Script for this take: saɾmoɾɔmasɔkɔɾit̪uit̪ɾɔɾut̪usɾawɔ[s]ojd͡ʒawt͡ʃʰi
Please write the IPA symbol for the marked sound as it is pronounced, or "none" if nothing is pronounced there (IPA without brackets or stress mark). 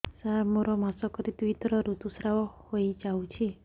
h